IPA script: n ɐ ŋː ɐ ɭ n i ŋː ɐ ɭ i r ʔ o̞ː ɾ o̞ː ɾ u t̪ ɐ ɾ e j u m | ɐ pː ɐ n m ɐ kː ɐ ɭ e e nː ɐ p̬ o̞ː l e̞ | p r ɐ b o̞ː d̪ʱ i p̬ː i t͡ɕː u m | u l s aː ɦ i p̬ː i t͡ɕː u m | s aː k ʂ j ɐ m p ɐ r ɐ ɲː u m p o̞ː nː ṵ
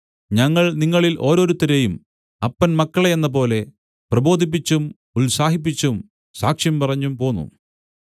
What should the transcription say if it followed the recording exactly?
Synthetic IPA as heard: ɲ ɐ ŋː ɐ ɭ n i ŋː ɐ ɭ i l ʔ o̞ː ɾ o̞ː ɾ u t̪ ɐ ɾ e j u m | ɐ pː ɐ n m ɐ kː ɐ ɭ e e nː ɐ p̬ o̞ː l e̞ | p r ɐ b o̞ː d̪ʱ i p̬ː i t͡ɕː u m | u l s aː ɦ i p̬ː i t͡ɕː u m | s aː k ʂ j ɐ m p ɐ r ɐ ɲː u m p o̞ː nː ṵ